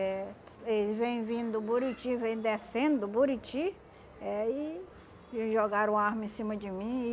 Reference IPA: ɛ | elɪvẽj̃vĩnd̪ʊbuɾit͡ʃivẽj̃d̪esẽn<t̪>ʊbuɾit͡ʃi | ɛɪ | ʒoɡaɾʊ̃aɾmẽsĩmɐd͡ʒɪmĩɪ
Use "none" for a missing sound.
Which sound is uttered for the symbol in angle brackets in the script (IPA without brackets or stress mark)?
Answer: d̪